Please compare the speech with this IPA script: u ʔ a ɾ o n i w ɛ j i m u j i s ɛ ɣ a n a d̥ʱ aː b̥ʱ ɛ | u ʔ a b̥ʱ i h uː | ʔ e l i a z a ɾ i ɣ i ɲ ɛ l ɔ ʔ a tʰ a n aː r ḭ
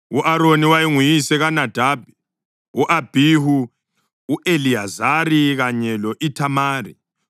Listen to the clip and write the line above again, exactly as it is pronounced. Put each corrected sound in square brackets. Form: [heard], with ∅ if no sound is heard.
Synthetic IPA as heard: u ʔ a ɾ o n i w [a] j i [ŋ] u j i s ɛ ɣ a n a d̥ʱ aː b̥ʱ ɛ | u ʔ a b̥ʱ i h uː | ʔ e l i a z a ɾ i ɣ [a] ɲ ɛ l ɔ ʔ [i] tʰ a [m] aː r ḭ